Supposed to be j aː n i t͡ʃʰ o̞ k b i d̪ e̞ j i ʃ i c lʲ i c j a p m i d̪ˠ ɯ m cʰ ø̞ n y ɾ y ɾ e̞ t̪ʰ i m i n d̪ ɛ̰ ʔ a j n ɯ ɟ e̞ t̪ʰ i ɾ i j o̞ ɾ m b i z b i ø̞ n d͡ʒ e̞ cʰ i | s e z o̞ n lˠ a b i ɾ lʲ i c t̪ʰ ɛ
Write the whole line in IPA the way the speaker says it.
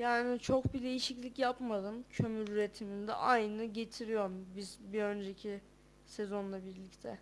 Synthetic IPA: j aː n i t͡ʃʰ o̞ k b i d̪ e̞ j i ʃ i c lʲ i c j a p m a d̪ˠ ɯ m cʰ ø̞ m y ɾ y ɾ e̞ t̪ʰ i m i n d̪ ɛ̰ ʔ a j n ɯ ɟ e̞ t̪ʰ i ɾ i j o̞ ɾ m b i z b i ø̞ n d͡ʒ e̞ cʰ i | s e z o̞ n lˠ a b i ɾ lʲ i c t̪ʰ ɛ